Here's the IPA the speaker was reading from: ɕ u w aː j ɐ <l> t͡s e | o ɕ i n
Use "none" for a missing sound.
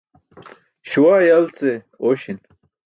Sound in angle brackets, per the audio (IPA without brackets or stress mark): l